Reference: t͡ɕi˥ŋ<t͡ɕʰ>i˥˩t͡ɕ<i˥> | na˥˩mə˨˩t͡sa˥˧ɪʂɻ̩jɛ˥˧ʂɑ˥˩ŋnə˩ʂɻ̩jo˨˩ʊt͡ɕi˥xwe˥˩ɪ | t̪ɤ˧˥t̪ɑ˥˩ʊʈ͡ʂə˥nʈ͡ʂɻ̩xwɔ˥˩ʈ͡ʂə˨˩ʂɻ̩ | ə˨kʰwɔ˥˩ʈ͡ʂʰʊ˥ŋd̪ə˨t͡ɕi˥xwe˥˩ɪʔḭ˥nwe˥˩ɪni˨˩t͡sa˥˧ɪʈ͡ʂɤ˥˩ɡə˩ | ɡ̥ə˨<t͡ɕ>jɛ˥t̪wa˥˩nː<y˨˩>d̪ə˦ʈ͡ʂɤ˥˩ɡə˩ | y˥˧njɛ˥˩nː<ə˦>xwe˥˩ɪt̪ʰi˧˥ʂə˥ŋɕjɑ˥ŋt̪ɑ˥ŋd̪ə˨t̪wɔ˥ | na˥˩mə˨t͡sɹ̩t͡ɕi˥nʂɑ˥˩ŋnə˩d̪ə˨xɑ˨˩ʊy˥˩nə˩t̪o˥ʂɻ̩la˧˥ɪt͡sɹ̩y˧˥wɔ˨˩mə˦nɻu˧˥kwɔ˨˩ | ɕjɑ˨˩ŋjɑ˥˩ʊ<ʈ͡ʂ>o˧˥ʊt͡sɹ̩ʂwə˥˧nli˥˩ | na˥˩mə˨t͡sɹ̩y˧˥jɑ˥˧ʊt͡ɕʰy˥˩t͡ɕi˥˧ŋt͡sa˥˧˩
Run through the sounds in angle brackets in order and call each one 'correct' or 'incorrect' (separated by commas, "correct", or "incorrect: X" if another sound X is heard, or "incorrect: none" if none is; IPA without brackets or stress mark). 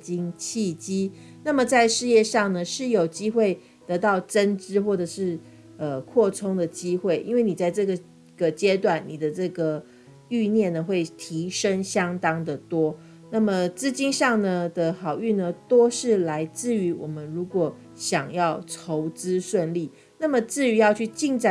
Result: correct, correct, correct, incorrect: i˨˩, incorrect: ə˩, incorrect: ʈ͡ʂʰ